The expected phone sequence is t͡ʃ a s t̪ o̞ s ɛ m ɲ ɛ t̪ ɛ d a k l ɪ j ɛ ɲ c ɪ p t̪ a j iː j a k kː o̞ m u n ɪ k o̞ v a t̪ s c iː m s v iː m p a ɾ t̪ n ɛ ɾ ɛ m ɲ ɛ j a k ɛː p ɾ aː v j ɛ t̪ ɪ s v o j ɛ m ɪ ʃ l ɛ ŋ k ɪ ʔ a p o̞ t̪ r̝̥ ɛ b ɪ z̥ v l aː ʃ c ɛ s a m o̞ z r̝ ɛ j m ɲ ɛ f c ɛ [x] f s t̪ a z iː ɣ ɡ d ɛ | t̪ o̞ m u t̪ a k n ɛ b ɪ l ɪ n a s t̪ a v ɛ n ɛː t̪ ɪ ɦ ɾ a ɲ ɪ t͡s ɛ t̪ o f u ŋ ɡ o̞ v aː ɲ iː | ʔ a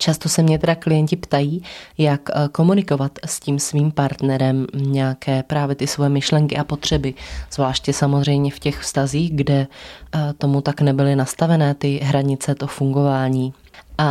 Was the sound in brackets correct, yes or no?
yes